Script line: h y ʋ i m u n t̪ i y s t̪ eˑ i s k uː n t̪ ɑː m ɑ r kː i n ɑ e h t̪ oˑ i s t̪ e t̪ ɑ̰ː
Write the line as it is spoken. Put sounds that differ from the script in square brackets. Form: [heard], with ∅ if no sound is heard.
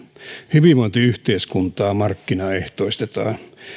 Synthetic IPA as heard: h y ʋ i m [o] n t̪ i y [h] t̪ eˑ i s k [u] n t̪ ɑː m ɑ r kː i n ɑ e h t̪ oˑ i s t̪ e t̪ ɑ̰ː